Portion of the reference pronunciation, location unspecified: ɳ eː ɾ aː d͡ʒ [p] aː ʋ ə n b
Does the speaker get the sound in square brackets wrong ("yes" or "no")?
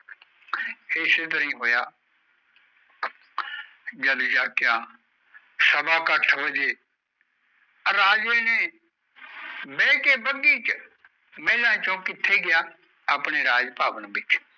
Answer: no